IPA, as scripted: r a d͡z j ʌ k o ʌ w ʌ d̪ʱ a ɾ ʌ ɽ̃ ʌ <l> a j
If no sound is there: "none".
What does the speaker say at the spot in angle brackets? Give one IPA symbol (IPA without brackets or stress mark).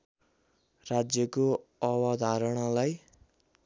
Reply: l